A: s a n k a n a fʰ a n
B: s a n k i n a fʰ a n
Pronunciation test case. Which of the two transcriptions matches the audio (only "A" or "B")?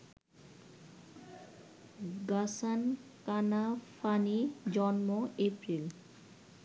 A